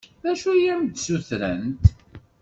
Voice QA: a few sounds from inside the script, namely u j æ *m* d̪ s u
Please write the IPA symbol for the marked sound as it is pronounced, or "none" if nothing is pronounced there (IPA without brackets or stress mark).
m